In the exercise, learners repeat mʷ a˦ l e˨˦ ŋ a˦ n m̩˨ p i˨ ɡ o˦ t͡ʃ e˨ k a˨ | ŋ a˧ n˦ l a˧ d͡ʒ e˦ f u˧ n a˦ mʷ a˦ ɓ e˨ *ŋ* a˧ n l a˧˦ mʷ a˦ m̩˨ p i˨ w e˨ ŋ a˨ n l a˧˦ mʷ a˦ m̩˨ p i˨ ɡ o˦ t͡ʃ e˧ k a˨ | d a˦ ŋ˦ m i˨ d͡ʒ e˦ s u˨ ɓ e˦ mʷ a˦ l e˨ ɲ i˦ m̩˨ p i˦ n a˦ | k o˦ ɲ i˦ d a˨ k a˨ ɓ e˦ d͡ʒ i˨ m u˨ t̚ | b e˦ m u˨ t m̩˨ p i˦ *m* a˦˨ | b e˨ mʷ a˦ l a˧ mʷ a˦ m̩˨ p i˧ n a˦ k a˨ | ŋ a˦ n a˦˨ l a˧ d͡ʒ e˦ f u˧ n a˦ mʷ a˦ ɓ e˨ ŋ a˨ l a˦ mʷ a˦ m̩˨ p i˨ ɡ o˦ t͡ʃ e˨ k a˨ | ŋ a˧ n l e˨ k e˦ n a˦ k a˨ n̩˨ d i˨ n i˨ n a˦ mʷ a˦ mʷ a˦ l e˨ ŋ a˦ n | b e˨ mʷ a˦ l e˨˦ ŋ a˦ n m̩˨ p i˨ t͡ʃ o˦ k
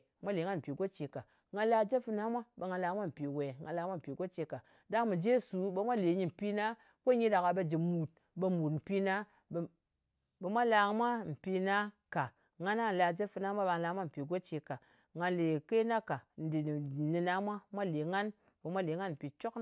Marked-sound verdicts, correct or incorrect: correct, incorrect

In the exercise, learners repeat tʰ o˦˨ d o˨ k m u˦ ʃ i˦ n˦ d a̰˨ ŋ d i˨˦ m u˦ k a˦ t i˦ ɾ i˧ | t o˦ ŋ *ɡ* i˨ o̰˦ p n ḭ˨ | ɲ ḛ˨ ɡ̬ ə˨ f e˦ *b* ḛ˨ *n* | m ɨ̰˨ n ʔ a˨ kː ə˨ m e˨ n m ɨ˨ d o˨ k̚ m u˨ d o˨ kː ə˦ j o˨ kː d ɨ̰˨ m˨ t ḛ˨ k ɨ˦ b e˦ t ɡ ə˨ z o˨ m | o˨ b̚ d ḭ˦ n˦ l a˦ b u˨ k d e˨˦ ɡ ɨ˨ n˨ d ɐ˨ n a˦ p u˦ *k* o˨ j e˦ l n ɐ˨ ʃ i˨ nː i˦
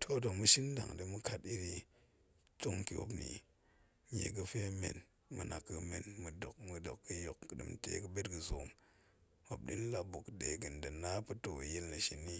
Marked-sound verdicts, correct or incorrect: incorrect, incorrect, correct, incorrect

